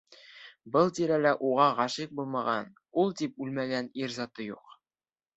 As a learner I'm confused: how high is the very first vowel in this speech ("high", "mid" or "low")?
mid